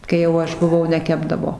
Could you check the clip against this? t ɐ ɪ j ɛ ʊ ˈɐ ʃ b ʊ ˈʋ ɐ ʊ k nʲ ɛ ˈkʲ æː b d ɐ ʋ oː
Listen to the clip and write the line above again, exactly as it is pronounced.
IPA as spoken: k ɐ ɪ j ɛ ʊ ˈɐ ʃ b ʊ ˈʋ ɐ ʊ nʲ ɛ ˈkʲ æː b d ɐ ʋ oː